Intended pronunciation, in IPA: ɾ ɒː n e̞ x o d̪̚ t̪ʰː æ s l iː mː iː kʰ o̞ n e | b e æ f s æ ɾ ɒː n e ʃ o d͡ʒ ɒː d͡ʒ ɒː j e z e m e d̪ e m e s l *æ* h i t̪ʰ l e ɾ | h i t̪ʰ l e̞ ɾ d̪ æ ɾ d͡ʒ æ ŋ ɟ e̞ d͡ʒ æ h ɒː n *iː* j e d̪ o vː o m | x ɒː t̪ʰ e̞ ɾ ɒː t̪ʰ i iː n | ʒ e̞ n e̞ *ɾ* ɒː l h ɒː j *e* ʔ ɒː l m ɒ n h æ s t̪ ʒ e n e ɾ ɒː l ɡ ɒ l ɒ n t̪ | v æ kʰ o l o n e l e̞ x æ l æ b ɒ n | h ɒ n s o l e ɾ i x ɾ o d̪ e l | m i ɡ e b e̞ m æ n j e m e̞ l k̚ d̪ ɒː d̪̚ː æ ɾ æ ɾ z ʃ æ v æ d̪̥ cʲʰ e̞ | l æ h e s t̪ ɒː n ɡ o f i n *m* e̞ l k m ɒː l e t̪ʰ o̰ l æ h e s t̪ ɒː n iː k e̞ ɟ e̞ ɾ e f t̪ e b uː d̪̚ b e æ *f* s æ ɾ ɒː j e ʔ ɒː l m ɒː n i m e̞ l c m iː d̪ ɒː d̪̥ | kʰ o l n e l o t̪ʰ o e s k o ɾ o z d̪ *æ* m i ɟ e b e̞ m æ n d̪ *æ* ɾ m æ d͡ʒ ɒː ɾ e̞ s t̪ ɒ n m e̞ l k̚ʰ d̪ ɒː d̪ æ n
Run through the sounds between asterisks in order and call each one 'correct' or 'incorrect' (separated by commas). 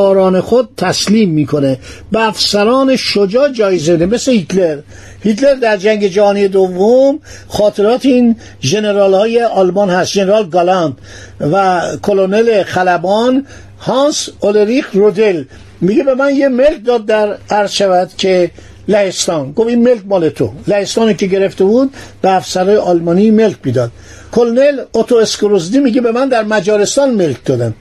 incorrect, incorrect, correct, correct, correct, correct, incorrect, correct